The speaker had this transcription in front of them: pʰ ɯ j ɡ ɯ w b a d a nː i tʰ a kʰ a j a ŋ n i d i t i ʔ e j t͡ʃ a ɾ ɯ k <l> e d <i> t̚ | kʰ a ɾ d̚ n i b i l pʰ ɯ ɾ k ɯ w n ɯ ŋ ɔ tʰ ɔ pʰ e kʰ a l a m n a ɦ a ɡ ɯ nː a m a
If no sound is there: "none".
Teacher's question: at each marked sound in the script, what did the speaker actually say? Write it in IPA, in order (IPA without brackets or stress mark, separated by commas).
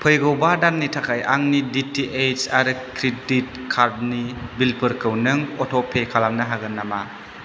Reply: ɾ, i